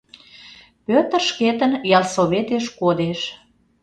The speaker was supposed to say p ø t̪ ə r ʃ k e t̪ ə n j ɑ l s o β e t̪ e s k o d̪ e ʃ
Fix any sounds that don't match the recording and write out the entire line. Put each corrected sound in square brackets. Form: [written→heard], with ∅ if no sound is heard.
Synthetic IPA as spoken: p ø t̪ ə r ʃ k e t̪ ə n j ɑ l s o β e t̪ e [s→ʃ] k o d̪ e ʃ